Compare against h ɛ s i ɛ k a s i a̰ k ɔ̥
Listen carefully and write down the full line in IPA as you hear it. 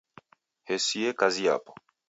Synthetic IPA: h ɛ s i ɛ k a z i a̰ p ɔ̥